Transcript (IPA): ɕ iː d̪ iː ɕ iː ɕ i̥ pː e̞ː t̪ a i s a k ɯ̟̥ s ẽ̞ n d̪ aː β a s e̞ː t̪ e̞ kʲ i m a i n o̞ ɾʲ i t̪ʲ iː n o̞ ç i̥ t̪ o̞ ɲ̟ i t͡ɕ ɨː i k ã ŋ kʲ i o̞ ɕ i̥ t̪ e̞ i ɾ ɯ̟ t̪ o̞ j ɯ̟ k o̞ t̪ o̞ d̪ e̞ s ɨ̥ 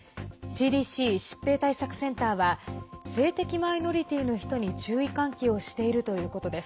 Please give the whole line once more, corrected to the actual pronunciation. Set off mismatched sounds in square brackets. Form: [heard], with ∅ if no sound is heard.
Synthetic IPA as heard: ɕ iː d̪ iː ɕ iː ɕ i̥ pː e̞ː t̪ a i s a k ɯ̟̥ s ẽ̞ n [t̪] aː β a s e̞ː t̪ e̞ kʲ i m a i n o̞ ɾʲ i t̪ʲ iː n o̞ ç i̥ t̪ o̞ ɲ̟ i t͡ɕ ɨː i k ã ŋ kʲ i o̞ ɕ i̥ t̪ e̞ i ɾ ɯ̟ t̪ o̞ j [ɯ̟ː] k o̞ t̪ o̞ d̪ e̞ s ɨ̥